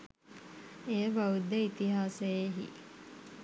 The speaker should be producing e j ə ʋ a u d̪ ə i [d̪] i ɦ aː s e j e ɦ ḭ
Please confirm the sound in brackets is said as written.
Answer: no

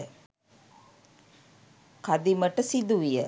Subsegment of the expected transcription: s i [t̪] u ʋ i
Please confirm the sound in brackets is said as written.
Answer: no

